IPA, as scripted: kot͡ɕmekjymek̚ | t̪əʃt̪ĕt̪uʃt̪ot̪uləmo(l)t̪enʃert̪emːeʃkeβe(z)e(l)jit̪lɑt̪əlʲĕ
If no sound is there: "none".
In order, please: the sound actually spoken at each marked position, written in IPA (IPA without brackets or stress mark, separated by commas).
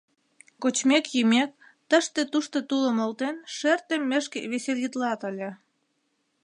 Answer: l, s, l